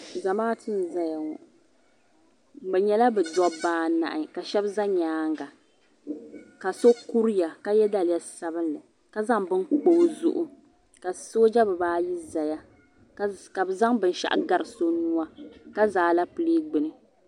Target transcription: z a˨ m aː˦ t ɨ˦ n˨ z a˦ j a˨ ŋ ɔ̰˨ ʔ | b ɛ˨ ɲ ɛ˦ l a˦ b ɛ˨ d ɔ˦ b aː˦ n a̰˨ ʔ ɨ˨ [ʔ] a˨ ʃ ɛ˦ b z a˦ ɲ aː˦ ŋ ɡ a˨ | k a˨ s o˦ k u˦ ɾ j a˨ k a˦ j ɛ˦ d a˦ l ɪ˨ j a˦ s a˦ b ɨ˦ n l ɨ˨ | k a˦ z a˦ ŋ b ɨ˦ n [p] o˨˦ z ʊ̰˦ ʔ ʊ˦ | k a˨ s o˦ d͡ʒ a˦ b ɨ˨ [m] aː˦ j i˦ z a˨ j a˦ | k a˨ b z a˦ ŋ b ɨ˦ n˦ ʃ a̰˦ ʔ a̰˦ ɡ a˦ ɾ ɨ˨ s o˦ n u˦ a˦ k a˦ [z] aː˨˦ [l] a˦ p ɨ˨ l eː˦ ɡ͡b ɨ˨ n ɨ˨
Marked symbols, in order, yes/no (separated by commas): no, no, no, yes, yes